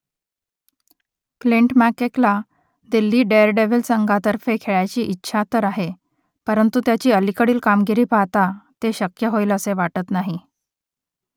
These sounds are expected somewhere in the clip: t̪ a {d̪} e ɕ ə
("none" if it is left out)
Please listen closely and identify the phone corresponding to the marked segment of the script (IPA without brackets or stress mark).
t̪